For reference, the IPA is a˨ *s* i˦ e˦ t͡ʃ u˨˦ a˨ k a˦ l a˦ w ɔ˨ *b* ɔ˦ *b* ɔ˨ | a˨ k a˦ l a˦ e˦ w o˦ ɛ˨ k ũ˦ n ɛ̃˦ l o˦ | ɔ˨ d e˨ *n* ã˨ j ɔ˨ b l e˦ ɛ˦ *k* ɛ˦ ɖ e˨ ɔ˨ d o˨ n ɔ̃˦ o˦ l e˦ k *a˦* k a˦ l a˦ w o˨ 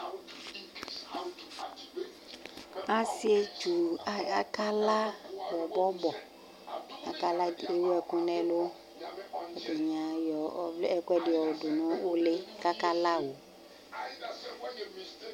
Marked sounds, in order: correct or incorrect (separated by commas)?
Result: correct, correct, correct, incorrect, correct, correct